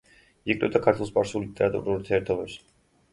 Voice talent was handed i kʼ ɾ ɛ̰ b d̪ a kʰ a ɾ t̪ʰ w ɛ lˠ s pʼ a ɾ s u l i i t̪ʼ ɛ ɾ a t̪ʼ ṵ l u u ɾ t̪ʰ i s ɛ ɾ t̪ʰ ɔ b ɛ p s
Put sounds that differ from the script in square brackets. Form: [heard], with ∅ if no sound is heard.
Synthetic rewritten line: i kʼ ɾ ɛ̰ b d̪ a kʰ a ɾ t̪ʰ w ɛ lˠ s pʼ a ɾ s u l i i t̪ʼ ɛ ɾ a t̪ʼ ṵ [ɾ] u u ɾ t̪ʰ i [∅] ɛ ɾ t̪ʰ ɔ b ɛ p s